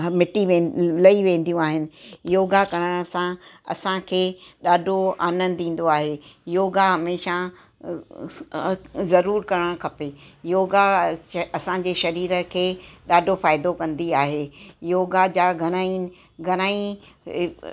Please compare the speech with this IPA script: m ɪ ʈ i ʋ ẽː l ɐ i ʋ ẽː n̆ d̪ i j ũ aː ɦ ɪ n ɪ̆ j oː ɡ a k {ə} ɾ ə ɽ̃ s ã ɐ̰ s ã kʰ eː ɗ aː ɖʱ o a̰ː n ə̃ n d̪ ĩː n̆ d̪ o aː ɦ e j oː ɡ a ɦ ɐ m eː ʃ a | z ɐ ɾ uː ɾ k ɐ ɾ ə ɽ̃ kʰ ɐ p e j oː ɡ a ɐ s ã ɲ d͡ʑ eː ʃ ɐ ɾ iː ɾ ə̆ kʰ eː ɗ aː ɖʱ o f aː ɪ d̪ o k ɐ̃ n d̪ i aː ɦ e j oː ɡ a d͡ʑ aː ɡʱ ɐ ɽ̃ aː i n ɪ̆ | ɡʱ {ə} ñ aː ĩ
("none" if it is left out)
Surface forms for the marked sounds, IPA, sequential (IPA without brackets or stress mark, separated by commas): ɐ, ɐ